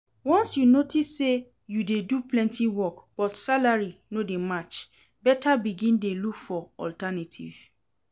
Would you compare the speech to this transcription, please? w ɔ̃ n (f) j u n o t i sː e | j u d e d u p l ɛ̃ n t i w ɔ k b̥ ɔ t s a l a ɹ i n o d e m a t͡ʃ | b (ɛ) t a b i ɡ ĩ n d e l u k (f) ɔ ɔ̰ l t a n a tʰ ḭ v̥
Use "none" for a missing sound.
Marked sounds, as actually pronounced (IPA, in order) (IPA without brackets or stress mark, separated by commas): s, ɛ, f